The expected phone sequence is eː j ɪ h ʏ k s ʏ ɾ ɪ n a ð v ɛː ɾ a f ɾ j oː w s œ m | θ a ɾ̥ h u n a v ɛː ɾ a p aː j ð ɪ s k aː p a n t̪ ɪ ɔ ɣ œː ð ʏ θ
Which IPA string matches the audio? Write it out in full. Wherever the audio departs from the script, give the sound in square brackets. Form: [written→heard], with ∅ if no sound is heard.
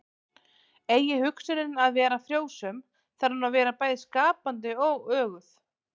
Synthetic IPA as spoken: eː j ɪ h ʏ k s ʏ ɾ ɪ n a ð v ɛː ɾ a f ɾ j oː w s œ m | θ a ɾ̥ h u n a v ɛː ɾ a p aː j ð ɪ s k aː p a n t̪ ɪ ɔ ɣ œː [ð→ɣ] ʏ θ